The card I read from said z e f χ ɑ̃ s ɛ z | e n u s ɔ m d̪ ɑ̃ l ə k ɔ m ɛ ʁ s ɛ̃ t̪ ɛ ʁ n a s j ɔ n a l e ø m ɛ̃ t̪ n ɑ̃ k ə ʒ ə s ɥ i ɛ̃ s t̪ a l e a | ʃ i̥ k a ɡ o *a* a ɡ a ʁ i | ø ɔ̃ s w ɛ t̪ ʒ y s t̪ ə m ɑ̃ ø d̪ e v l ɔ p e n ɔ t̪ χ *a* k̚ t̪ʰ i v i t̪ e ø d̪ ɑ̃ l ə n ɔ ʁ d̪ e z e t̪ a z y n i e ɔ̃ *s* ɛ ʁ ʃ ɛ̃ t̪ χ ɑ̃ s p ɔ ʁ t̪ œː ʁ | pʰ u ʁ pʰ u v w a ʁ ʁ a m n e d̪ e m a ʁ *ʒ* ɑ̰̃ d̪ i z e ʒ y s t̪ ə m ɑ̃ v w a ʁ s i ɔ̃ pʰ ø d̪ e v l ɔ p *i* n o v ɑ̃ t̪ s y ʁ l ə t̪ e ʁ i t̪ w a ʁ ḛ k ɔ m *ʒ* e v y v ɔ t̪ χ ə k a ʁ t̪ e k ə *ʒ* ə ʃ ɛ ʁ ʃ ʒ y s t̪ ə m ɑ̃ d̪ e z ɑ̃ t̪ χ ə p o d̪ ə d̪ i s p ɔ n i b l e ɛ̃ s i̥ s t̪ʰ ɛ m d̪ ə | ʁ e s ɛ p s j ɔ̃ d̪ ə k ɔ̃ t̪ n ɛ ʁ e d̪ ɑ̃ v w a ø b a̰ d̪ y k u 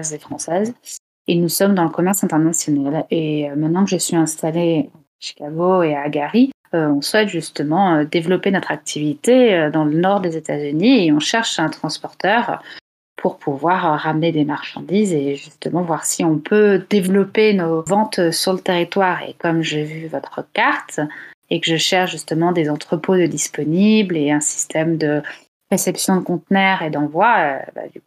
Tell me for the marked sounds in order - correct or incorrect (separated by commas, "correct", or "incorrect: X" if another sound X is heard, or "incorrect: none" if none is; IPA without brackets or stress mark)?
incorrect: e, correct, incorrect: ʃ, incorrect: ʃ, incorrect: e, correct, correct